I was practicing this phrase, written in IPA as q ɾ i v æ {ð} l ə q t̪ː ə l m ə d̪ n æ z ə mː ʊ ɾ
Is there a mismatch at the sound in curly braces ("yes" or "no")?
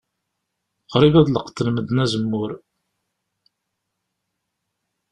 no